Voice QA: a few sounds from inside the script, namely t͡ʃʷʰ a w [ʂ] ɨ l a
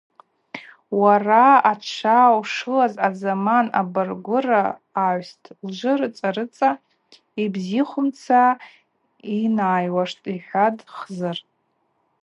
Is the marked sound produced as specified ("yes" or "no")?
yes